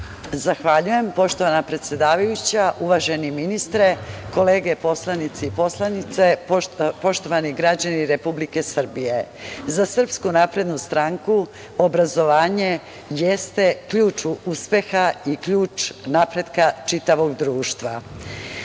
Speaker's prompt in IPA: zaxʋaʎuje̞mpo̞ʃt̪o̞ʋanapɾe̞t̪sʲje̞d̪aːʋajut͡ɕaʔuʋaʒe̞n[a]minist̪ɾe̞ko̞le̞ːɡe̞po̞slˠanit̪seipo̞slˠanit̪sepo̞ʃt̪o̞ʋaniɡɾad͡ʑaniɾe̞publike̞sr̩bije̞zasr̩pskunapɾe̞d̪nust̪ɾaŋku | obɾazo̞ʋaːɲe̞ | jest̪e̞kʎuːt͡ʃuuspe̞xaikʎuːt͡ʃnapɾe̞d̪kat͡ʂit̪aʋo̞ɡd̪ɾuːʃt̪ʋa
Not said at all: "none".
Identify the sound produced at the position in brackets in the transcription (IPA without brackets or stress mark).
i